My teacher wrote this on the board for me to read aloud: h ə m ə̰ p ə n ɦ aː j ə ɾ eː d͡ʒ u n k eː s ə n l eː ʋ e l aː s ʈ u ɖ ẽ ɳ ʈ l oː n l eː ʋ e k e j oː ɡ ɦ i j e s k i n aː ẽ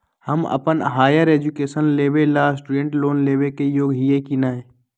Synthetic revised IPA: h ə m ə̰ p ə n ɦ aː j ə ɾ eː d͡ʒ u k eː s ə n l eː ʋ e l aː s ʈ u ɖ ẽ ɳ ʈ l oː n l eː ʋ e k e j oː ɡ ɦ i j e k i n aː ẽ